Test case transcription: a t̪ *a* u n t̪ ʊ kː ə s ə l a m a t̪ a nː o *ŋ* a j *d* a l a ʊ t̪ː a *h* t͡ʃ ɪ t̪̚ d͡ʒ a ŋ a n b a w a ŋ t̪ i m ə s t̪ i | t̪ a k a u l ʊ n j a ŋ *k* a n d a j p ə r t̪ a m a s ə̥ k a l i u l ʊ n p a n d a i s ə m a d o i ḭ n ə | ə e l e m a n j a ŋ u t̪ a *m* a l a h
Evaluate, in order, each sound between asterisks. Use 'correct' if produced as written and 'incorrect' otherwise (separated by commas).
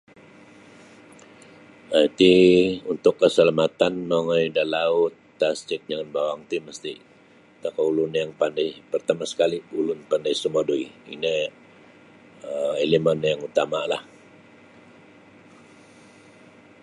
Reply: incorrect, correct, correct, incorrect, incorrect, correct